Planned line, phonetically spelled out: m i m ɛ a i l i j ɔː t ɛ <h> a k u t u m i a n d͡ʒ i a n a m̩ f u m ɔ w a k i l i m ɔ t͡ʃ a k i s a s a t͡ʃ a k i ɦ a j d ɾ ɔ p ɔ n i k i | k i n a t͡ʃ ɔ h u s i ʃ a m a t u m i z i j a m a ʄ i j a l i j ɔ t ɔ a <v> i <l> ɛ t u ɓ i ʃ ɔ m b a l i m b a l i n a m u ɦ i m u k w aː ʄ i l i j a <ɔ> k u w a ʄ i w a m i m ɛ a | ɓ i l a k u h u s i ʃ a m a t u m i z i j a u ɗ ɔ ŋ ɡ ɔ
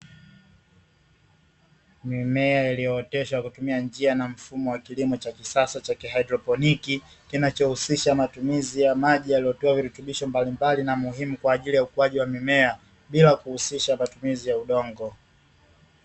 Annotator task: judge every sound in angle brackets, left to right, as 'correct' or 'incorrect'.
incorrect, correct, incorrect, incorrect

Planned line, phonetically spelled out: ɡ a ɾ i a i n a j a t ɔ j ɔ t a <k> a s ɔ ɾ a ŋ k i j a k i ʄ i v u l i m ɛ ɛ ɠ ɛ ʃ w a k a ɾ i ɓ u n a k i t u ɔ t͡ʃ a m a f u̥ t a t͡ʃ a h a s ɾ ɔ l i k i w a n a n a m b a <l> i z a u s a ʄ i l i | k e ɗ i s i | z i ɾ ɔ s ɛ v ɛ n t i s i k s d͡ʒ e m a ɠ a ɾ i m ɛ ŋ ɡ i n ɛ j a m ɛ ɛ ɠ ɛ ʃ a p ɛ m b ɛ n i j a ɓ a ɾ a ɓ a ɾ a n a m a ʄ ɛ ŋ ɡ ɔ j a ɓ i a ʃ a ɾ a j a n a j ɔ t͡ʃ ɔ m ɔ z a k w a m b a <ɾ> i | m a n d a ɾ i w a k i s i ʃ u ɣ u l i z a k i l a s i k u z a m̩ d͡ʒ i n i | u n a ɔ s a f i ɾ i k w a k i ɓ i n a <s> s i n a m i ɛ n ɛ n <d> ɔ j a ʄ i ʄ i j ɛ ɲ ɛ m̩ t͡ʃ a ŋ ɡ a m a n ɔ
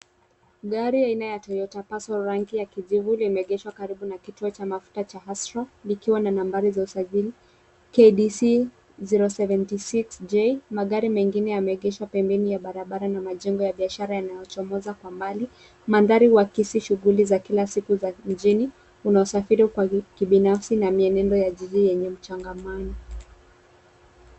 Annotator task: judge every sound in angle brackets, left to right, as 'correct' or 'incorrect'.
incorrect, incorrect, incorrect, incorrect, correct

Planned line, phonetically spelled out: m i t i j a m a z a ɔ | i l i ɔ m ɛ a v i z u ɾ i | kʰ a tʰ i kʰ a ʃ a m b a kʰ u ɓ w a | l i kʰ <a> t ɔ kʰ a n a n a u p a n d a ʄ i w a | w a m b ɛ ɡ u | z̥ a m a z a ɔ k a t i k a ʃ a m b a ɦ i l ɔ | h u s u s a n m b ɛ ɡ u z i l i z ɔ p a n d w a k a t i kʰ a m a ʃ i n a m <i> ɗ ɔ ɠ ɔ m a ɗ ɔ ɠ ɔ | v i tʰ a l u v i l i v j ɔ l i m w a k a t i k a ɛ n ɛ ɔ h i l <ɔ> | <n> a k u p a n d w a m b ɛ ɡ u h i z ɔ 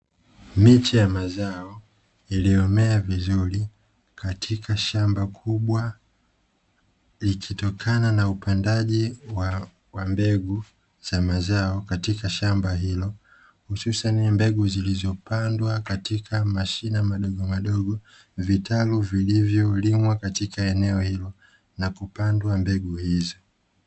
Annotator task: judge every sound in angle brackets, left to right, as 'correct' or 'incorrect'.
incorrect, incorrect, correct, correct

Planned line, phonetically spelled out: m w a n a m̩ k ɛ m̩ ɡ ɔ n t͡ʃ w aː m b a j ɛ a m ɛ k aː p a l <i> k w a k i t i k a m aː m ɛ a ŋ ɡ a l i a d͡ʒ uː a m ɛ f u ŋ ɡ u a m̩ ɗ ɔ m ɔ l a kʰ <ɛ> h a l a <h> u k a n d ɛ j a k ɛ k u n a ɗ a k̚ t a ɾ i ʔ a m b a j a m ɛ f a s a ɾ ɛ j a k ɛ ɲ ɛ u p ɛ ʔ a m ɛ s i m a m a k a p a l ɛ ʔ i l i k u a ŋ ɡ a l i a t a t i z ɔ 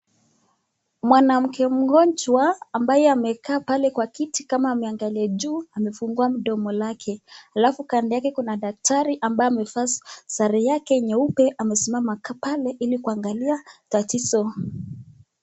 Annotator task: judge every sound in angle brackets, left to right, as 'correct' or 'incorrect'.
incorrect, correct, incorrect

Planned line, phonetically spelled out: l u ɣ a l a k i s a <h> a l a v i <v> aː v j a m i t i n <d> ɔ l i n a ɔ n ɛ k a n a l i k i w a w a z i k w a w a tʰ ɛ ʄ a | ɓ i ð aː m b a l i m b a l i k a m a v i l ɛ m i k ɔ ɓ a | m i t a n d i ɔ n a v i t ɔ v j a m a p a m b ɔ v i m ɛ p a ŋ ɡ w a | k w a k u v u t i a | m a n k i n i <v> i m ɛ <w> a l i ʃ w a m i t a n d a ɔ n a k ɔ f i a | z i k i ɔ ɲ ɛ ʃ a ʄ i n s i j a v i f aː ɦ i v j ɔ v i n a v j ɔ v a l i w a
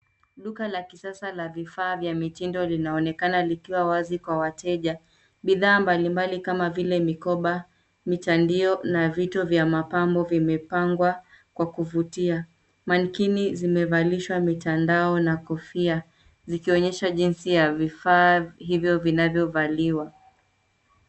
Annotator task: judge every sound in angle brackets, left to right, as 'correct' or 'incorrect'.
incorrect, incorrect, correct, incorrect, incorrect

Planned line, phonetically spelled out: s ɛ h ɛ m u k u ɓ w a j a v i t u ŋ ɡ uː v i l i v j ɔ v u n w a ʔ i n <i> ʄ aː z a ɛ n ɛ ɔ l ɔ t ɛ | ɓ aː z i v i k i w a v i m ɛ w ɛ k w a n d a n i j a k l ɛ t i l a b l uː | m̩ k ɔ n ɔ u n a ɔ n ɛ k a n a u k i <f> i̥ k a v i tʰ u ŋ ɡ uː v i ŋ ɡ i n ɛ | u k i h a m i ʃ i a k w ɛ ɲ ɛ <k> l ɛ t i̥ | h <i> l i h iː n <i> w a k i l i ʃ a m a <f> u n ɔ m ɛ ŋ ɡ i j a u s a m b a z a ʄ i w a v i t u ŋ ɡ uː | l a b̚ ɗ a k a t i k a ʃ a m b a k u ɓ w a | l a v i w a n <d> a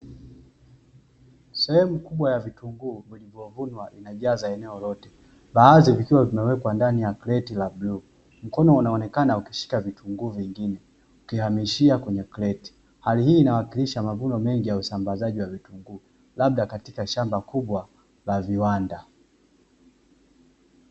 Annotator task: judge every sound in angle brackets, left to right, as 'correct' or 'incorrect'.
incorrect, incorrect, correct, incorrect, incorrect, incorrect, correct

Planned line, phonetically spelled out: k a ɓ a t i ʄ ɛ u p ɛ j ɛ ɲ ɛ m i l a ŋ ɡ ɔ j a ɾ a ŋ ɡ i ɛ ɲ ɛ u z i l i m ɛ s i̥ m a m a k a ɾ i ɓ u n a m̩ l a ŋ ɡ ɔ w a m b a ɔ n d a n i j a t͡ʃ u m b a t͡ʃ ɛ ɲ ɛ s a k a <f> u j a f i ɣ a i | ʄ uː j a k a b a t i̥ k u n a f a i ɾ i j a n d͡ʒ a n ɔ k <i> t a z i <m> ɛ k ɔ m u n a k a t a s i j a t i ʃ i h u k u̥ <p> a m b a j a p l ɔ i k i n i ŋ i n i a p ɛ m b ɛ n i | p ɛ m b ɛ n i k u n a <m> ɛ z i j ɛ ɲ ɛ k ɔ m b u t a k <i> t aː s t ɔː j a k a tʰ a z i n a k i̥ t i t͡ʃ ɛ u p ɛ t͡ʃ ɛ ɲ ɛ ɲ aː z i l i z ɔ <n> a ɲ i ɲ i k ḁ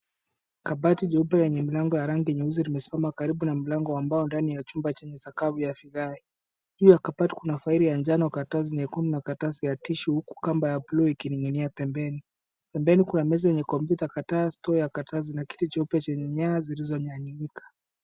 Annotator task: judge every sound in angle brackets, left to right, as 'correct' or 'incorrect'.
incorrect, incorrect, incorrect, incorrect, correct, incorrect, incorrect

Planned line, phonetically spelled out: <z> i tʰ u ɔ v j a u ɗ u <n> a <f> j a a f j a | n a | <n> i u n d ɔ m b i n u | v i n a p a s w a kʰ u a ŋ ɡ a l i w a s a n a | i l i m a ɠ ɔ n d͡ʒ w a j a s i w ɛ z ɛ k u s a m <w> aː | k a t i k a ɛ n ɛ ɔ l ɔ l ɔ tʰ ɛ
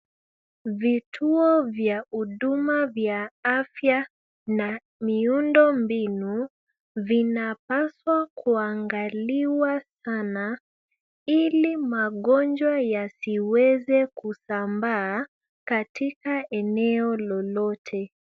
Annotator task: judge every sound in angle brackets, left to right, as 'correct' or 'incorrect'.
incorrect, incorrect, incorrect, incorrect, incorrect

